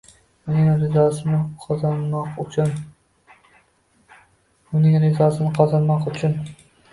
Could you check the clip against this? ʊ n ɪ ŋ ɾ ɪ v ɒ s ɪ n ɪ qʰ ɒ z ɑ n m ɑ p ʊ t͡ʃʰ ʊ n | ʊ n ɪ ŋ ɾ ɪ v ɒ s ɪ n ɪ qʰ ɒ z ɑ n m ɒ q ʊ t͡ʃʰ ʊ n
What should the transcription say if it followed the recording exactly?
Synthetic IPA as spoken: ʊ n ɪ ŋ ɾ ɪ z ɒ s ɪ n ɪ qʰ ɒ z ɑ n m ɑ q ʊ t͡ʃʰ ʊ n | ʊ n ɪ ŋ ɾ ɪ z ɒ s ɪ n ɪ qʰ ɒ z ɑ n m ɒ q ʊ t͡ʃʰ ʊ n